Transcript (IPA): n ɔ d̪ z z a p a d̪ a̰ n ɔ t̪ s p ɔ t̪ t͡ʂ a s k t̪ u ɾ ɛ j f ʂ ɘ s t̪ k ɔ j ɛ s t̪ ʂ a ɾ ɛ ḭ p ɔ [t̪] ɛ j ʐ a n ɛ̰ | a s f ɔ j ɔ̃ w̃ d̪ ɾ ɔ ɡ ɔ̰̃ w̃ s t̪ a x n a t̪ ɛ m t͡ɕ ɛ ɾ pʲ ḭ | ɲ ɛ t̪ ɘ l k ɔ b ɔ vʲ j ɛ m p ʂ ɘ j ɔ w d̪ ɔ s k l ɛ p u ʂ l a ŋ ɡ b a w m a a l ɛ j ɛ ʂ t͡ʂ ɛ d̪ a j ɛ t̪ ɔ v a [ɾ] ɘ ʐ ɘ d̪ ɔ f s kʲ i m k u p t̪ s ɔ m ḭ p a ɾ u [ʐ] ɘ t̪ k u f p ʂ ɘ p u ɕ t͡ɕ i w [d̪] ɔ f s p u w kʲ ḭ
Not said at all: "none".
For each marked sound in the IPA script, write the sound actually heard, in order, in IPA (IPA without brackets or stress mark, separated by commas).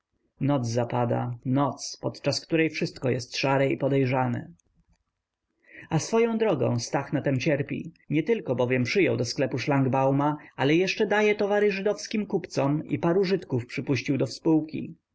d̪, ɾ, ʐ, d̪